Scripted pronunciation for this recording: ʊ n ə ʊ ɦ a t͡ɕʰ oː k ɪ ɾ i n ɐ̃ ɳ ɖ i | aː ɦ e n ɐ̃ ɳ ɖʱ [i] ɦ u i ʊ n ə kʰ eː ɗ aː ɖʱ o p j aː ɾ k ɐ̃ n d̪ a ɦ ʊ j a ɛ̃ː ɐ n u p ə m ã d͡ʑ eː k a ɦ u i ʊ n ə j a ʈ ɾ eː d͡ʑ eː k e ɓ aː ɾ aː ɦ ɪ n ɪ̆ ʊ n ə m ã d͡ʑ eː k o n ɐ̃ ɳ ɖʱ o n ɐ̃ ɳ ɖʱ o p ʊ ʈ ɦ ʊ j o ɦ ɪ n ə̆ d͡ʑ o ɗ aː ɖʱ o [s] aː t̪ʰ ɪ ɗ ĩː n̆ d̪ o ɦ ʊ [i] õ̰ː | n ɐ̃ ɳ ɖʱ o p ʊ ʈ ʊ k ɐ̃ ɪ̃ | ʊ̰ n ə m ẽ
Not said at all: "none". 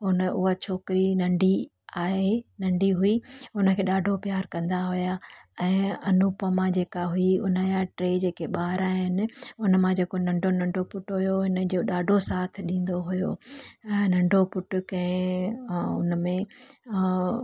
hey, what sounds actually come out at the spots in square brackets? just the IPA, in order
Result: i, s, j

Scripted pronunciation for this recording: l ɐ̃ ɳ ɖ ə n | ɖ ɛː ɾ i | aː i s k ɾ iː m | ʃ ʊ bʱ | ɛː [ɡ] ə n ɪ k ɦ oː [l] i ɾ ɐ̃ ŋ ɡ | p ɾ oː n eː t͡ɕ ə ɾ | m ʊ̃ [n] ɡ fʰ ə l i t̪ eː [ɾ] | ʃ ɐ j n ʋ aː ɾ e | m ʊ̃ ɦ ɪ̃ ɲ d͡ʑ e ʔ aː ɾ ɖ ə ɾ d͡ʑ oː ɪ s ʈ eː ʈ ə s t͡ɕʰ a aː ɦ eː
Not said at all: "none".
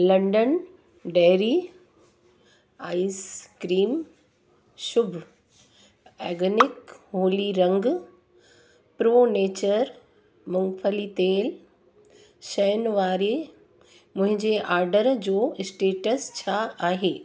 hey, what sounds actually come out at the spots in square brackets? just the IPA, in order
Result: ɡ, l, ŋ, l

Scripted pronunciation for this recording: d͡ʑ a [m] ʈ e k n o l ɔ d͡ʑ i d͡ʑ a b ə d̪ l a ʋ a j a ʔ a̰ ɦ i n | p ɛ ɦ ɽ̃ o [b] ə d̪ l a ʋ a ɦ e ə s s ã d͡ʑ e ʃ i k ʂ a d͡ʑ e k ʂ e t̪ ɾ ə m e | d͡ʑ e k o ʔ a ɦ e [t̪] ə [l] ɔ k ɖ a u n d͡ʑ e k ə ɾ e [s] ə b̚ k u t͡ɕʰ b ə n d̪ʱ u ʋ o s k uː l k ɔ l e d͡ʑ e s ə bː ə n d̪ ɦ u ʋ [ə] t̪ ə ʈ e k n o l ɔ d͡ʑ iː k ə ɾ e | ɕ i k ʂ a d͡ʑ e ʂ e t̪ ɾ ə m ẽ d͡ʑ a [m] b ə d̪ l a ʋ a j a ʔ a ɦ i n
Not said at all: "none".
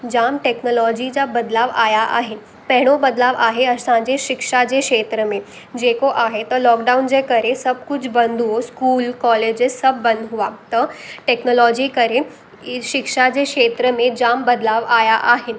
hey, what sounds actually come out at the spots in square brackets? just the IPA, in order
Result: m, b, t̪, l, s, a, m

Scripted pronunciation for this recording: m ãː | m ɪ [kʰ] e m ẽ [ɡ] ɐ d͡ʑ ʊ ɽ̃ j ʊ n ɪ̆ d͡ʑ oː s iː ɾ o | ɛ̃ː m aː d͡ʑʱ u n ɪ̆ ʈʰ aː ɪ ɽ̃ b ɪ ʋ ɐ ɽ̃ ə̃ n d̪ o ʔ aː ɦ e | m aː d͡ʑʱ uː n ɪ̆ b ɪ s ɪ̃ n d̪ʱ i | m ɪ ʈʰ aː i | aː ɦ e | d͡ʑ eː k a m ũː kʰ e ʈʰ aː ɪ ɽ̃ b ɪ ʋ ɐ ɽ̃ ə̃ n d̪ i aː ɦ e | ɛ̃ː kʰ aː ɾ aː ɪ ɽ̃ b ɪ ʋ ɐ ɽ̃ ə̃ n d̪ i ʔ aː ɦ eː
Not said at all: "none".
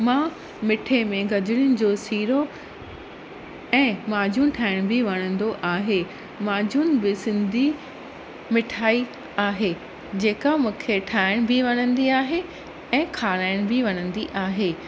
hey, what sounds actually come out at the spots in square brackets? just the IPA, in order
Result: ʈʰ, ɡ

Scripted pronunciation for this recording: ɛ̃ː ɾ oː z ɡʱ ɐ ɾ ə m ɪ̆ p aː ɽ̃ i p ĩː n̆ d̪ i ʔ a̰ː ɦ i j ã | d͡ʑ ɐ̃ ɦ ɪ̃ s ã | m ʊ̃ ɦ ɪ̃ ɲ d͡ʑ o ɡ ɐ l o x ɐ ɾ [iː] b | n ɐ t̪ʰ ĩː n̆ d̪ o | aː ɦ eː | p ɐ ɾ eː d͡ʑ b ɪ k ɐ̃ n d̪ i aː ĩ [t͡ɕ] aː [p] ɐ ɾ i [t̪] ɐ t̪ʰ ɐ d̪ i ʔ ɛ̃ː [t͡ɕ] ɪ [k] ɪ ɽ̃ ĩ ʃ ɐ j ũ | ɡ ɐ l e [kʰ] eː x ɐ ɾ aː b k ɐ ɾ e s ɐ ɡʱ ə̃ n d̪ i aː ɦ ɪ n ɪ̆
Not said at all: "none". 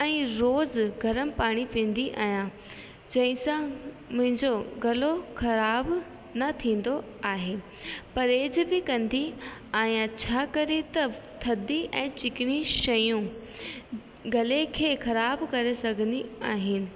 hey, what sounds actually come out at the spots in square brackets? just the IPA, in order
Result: aː, t͡ɕʰ, k, t̪, t͡ɕ, k, kʰ

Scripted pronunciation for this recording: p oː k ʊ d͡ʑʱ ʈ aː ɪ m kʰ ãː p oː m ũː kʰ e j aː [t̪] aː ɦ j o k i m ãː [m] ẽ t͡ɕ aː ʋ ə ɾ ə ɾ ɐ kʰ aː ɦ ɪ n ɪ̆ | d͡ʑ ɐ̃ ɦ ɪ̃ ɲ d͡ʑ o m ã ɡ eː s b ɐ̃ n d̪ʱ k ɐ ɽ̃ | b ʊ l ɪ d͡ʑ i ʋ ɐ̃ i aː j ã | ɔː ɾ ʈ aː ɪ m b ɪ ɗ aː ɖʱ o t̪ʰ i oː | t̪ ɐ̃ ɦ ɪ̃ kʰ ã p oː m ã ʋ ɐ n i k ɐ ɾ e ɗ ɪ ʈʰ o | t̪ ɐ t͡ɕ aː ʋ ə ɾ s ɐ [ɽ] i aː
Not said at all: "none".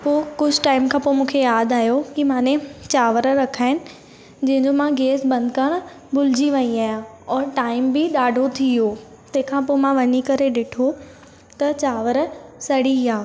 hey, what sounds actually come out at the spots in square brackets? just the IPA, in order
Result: d̪, n, ɽ

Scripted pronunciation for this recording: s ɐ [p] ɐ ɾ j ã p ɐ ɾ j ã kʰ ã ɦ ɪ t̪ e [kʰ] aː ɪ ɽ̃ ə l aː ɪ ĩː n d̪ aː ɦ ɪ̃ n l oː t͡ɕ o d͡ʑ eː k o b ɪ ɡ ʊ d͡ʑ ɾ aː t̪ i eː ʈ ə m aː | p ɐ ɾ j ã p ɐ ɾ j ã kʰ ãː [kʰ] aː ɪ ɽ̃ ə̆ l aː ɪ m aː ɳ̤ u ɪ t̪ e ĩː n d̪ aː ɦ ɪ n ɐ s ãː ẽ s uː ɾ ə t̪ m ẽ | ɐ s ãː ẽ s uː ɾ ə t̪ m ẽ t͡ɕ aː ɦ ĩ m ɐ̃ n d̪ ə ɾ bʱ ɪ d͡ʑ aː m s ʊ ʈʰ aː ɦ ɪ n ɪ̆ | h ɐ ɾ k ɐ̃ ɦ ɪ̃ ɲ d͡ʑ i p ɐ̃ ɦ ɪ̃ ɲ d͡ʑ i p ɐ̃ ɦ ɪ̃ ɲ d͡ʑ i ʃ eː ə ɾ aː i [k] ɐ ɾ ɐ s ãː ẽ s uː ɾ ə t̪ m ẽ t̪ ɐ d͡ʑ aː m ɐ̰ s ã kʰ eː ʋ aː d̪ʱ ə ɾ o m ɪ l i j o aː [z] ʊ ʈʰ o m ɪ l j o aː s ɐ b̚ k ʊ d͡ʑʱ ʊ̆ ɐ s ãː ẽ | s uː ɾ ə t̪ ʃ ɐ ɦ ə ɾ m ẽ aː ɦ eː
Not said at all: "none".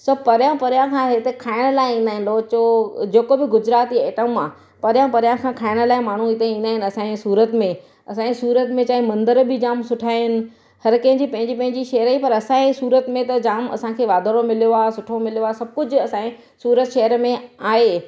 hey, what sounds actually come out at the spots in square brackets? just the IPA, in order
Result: p, kʰ, kʰ, p, s

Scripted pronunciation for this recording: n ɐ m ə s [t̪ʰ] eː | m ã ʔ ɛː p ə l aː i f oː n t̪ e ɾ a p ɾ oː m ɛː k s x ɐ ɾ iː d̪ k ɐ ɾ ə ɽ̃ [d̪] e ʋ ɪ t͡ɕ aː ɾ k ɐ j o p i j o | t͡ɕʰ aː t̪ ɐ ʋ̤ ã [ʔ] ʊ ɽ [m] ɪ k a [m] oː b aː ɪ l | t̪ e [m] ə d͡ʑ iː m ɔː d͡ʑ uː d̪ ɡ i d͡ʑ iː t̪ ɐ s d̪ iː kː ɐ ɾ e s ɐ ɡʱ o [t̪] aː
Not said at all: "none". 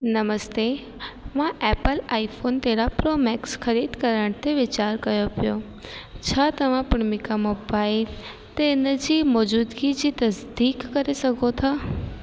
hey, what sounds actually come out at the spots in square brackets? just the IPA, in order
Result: t̪, t̪, p, m, m, n, t̪ʰ

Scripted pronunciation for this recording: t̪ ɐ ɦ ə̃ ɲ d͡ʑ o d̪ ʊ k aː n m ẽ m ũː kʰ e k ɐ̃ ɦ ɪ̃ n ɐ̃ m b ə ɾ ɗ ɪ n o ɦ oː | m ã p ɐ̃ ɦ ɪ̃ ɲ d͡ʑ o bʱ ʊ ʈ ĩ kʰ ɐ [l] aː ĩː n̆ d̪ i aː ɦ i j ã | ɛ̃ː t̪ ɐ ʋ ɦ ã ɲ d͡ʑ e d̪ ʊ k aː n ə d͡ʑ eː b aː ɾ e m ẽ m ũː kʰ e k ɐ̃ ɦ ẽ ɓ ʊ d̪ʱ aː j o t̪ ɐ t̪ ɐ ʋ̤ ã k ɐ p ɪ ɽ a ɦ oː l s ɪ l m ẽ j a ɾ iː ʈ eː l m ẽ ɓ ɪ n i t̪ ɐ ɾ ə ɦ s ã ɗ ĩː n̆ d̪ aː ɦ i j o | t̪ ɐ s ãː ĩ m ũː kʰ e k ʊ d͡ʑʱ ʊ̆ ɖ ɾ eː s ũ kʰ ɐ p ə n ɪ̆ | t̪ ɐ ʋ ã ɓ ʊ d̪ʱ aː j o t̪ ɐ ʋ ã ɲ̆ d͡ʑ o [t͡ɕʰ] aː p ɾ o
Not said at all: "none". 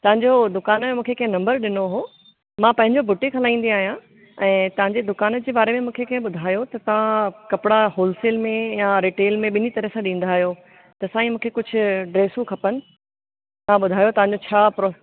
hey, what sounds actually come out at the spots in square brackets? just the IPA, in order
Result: l, t͡ɕʰ

